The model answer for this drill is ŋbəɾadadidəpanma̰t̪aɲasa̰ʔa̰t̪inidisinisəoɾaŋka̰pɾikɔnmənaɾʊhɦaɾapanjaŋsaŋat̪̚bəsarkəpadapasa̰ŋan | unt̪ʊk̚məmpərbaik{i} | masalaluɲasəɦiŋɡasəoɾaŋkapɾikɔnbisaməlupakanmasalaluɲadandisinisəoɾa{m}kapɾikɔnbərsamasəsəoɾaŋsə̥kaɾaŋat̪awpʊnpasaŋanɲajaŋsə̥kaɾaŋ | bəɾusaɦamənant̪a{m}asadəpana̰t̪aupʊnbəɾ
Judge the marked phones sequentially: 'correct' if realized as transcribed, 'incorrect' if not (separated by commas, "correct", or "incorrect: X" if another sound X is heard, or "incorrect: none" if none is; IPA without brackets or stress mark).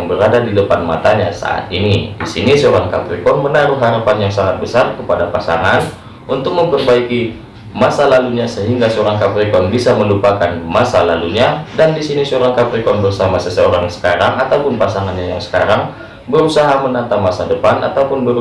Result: correct, incorrect: ŋ, correct